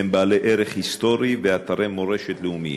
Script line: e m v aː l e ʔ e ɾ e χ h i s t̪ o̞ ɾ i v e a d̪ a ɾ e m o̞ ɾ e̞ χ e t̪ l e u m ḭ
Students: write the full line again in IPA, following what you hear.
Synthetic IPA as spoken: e m b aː l e ʔ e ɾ e χ h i s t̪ o̞ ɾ i v e a t̪ a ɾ e m o̞ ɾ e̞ ʃ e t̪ l e u m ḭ